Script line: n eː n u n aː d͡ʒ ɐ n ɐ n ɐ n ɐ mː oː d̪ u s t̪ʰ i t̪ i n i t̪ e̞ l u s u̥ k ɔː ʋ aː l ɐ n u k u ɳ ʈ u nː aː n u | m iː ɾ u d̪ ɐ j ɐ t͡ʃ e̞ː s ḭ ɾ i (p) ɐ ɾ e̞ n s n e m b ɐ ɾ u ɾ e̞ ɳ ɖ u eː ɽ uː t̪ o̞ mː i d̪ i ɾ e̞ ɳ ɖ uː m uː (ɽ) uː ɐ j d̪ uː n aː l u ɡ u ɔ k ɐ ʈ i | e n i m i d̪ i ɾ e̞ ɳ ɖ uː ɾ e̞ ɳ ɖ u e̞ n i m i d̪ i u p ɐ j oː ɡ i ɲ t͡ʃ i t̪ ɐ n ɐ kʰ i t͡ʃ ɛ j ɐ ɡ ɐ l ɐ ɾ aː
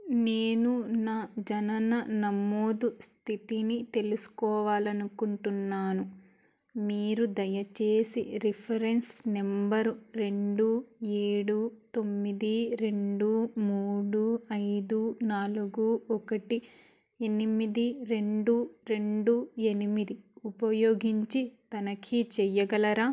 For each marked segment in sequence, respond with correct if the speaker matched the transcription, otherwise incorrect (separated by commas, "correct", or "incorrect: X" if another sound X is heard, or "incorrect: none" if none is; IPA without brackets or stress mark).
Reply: incorrect: pʰ, correct